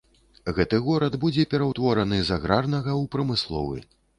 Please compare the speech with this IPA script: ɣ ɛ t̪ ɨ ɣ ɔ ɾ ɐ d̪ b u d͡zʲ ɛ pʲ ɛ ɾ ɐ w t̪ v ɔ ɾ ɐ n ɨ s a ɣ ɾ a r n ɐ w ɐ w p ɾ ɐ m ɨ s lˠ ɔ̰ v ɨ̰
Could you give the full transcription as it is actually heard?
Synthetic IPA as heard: ɣ ɛ t̪ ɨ ɣ ɔ ɾ ɐ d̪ b u d͡zʲ ɛ pʲ ɛ ɾ ɐ w t̪ v ɔ ɾ ɐ n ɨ z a ɣ ɾ a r n ɐ ɣ ɐ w p ɾ ɐ m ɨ s lˠ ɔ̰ v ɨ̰

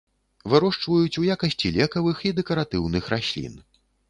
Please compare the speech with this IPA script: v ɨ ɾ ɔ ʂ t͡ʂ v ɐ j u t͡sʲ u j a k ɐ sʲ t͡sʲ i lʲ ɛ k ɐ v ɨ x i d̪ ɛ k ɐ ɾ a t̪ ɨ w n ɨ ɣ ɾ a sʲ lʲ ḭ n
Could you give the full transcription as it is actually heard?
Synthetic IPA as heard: v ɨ ɾ ɔ ʂ t͡ʂ v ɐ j u t͡sʲ u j a k ɐ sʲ t͡sʲ i lʲ ɛ k ɐ v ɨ x i d̪ ɛ k ɐ ɾ a t̪ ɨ w n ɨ x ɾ a sʲ lʲ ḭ n

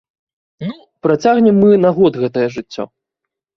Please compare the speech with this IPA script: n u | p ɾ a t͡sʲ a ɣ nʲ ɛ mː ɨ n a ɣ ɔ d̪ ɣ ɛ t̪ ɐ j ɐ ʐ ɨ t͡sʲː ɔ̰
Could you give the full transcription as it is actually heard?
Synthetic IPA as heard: n u | p ɾ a t͡sʲ a ɣ nʲ ɛ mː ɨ n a ɣ ɔ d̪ ɣ ɛ t̪ ɐ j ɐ ʐ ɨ t͡sʲː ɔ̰

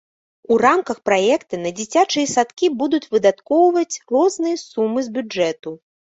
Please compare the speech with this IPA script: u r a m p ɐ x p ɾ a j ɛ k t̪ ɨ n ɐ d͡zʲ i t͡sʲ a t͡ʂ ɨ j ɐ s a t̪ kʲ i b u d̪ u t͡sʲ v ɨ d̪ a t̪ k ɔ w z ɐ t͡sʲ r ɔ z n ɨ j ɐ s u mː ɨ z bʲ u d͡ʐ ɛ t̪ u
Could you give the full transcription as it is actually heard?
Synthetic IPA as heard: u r a m k ɐ x p ɾ a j ɛ k t̪ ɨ n ɐ d͡zʲ i t͡sʲ a t͡ʂ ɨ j ɐ s a t̪ kʲ i b u d̪ u t͡sʲ v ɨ d̪ a t̪ k ɔ w v ɐ t͡sʲ r ɔ z n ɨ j ɐ s u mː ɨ z bʲ u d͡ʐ ɛ t̪ u

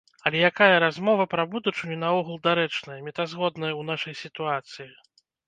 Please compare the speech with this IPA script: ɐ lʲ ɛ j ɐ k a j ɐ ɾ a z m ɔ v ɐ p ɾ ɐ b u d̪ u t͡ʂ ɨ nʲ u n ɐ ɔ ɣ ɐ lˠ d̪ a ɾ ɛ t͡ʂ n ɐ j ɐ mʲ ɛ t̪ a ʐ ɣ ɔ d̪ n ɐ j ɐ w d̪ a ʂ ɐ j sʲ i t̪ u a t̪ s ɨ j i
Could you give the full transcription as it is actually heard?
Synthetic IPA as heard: ɐ lʲ ɛ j a k a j ɐ ɾ a z m ɔ v ɐ p ɾ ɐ b u d̪ u t͡ʂ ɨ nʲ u n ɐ ɔ ɣ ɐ lˠ d̪ a ɾ ɛ t͡ʂ n ɐ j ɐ mʲ ɛ t̪ a z ɣ ɔ d̪ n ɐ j ɐ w n̪ a ʂ ɐ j sʲ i t̪ u a t̪ s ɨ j i

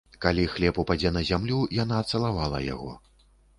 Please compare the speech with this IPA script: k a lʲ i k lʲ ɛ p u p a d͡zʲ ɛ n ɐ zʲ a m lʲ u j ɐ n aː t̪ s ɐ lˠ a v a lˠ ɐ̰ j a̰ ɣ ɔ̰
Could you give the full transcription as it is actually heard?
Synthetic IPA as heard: k a lʲ i x lʲ ɛ p u p a d͡zʲ ɛ n ɐ zʲ a m lʲ u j a n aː t̪ s ɐ lˠ a v a lˠ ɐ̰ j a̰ ɣ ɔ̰

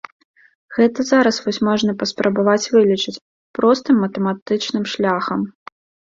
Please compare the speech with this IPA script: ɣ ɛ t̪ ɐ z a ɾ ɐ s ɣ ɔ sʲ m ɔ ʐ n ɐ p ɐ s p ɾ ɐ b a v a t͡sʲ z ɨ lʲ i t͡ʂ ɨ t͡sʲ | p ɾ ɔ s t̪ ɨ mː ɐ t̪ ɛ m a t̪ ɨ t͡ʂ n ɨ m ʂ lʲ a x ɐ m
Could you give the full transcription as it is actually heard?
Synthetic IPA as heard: ɣ ɛ t̪ ɐ z a ɾ ɐ s v ɔ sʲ m ɔ ʐ n ɐ p ɐ s p ɾ ɐ b a v a t͡sʲ v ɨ lʲ i t͡ʂ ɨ t͡sʲ | p ɾ ɔ s t̪ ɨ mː ɐ t̪ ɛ m a t̪ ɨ t͡ʂ n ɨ m ʂ lʲ a x ɐ m

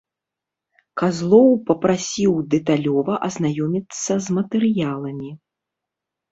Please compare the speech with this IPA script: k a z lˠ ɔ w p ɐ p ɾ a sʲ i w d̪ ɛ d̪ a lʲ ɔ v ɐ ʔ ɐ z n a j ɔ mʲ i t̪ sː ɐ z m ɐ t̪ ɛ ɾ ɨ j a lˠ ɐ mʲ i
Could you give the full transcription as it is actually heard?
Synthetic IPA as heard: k a z lˠ ɔ w p ɐ p ɾ a sʲ i w d̪ ɛ t̪ a lʲ ɔ v ɐ ʔ ɐ z n a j ɔ mʲ i t̪ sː ɐ z m ɐ t̪ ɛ ɾ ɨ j a lˠ ɐ mʲ i

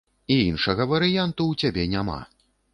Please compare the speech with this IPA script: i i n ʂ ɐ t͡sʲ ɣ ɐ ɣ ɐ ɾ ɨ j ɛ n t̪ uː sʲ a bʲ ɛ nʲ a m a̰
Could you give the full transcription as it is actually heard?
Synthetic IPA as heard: i i n ʂ ɐ ɣ ɐ v ɐ ɾ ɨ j a n t̪ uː t͡sʲ a bʲ ɛ nʲ a m a̰

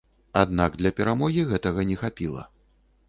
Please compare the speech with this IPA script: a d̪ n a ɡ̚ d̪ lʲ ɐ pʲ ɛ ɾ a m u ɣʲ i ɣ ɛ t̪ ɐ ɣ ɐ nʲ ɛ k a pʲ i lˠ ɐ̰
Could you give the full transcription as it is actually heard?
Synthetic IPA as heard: a d̪ n a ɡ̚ d̪ lʲ ɐ pʲ ɛ ɾ a m ɔ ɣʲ i ɣ ɛ t̪ ɐ ɣ ɐ nʲ ɛ x a pʲ i lˠ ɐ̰

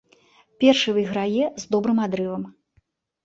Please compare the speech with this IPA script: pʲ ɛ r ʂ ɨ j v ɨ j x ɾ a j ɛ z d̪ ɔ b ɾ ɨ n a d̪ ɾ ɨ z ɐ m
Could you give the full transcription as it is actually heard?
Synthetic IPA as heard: pʲ ɛ r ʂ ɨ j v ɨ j ɣ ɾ a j ɛ z d̪ ɔ b ɾ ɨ m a d̪ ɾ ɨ v ɐ m

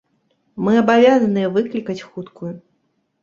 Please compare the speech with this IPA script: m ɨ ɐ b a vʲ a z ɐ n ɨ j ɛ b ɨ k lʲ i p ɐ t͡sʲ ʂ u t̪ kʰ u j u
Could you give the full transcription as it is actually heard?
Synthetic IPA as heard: m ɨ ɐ b a vʲ a z ɐ n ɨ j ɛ v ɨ k lʲ i k ɐ t͡sʲ x u t̪ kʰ u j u

